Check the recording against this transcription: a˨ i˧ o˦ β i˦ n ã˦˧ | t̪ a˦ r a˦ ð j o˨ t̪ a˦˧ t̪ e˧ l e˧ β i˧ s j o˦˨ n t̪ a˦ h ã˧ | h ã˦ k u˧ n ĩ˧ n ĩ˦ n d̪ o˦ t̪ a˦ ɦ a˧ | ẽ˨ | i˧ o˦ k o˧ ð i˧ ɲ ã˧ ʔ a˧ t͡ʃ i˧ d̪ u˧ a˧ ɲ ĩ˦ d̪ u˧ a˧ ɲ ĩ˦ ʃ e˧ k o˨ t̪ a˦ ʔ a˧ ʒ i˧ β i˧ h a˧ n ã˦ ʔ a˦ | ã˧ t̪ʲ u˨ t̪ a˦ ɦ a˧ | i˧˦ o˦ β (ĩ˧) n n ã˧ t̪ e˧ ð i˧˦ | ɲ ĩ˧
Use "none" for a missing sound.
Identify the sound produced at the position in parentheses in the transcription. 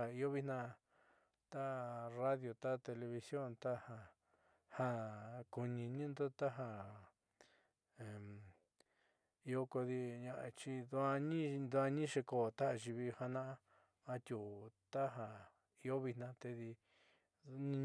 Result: i˧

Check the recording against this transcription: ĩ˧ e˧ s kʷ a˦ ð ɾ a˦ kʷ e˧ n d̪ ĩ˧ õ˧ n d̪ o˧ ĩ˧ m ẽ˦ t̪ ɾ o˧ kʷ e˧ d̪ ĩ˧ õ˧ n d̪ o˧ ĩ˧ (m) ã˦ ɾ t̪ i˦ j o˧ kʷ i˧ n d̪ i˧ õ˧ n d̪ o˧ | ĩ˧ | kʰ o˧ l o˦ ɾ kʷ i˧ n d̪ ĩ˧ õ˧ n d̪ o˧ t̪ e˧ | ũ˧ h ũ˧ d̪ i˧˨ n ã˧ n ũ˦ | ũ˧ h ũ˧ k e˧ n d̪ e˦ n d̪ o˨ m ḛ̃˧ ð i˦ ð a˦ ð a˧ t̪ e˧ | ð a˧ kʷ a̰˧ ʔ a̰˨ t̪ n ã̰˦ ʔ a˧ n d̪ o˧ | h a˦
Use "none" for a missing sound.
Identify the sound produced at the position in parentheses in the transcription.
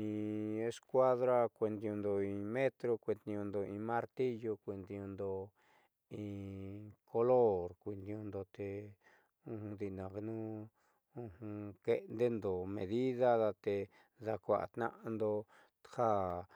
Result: m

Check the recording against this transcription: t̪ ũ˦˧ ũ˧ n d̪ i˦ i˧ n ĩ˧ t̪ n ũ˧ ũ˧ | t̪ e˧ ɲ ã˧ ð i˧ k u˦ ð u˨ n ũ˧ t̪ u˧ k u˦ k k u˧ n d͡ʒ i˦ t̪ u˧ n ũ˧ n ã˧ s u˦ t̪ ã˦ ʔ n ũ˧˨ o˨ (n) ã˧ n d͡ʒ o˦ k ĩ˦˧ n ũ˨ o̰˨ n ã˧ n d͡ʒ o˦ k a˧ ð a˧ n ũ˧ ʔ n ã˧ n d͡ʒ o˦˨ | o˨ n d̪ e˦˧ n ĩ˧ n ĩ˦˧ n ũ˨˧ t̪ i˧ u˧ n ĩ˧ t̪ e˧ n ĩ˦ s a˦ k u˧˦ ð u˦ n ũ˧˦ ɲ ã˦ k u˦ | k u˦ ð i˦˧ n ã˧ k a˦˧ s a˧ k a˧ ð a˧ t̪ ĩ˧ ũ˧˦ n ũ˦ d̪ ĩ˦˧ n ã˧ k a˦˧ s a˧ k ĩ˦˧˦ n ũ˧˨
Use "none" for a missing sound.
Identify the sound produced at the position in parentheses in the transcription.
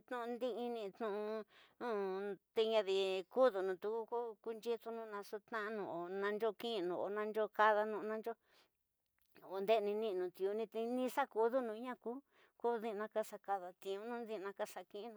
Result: n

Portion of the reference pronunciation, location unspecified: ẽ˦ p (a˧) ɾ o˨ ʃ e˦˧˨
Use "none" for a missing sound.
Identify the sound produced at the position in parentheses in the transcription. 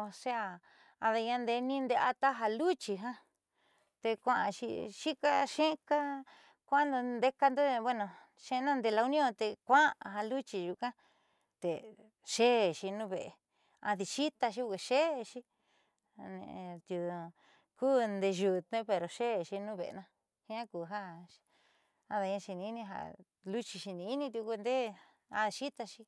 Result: e˧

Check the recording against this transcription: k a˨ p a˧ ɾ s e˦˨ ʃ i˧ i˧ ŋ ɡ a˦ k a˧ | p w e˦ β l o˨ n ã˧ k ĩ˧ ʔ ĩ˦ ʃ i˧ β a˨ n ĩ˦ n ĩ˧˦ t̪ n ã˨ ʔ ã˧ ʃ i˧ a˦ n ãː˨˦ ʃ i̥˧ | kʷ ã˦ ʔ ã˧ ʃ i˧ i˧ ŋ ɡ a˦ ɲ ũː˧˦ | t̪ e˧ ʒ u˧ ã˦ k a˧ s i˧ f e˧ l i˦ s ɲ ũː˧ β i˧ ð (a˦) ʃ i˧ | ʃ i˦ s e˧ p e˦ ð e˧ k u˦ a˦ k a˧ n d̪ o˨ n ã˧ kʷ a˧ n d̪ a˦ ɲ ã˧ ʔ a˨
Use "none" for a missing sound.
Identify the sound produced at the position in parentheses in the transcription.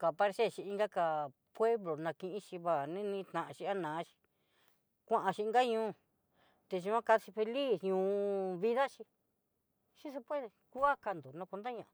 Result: a˦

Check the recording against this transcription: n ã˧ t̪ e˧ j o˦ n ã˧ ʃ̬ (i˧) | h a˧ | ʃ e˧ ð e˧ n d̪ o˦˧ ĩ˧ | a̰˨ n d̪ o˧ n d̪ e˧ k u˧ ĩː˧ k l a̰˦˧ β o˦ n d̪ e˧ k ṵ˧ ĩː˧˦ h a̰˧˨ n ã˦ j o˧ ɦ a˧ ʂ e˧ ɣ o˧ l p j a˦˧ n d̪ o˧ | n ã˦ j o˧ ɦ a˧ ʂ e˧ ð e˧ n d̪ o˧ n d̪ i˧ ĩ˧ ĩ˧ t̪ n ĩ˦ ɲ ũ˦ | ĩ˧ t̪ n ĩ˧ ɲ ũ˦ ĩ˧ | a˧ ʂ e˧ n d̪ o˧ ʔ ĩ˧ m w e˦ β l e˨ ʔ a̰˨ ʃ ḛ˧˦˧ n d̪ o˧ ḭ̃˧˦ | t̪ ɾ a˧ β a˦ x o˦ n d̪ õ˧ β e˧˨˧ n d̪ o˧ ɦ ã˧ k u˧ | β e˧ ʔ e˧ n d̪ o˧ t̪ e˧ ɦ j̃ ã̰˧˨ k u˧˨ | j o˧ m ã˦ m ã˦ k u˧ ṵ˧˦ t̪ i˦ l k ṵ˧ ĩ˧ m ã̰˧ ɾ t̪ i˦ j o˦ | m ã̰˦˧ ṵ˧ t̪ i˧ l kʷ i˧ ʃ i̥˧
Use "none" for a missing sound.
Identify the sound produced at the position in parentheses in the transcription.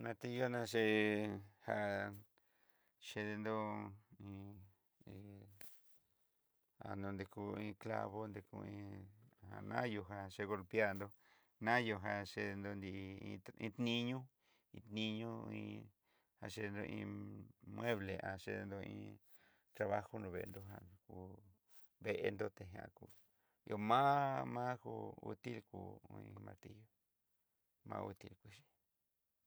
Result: e˧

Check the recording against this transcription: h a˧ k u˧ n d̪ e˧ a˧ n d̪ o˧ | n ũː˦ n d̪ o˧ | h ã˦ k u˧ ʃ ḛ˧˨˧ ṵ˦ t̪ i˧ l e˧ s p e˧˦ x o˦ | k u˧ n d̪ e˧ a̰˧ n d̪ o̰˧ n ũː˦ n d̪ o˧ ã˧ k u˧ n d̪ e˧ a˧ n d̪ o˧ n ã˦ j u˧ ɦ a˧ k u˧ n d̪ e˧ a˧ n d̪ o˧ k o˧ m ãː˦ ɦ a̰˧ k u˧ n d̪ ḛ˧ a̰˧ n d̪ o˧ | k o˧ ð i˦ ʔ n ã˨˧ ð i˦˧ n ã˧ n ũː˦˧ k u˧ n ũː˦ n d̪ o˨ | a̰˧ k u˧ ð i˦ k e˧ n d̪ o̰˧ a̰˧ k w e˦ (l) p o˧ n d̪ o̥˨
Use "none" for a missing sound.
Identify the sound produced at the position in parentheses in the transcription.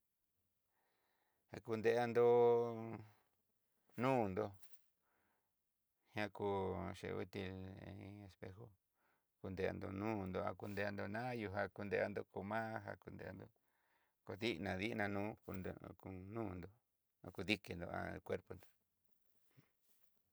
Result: ɾ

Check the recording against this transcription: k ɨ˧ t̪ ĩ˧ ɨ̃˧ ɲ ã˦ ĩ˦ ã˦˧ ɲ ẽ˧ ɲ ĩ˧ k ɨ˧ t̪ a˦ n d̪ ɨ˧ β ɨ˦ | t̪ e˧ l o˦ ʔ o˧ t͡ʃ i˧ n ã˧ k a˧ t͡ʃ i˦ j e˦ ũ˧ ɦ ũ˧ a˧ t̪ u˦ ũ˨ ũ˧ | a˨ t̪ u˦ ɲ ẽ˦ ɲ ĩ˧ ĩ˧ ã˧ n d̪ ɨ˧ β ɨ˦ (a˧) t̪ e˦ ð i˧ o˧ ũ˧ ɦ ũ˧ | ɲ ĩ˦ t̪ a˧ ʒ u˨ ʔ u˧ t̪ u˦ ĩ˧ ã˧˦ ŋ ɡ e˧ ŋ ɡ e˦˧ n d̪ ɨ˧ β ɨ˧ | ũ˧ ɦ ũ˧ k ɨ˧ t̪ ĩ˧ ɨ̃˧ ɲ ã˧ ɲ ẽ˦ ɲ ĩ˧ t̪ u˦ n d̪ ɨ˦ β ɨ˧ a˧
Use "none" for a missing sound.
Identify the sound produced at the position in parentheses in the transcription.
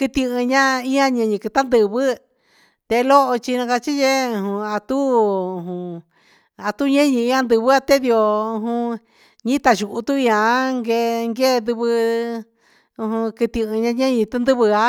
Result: a˧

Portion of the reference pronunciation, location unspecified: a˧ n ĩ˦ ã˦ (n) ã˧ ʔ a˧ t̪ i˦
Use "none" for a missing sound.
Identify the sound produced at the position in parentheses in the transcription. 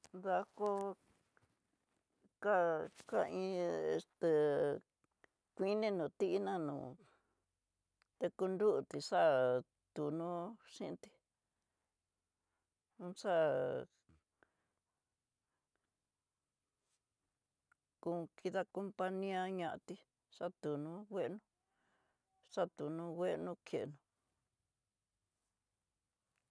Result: ɲ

